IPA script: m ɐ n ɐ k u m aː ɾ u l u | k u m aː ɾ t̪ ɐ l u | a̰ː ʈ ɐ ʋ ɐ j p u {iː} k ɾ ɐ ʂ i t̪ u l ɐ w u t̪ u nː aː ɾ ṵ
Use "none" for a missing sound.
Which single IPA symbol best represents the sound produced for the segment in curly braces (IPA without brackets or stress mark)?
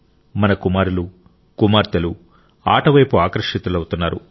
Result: aː